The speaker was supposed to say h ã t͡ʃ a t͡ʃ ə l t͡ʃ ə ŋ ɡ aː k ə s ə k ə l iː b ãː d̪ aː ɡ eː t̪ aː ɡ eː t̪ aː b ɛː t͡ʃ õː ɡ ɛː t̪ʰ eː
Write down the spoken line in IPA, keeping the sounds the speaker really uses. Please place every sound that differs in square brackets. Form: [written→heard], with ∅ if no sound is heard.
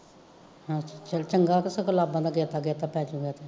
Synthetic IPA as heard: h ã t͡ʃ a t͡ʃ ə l t͡ʃ ə ŋ ɡ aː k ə s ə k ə l [iː→aː] b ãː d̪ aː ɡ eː t̪ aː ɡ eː t̪ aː [b→p] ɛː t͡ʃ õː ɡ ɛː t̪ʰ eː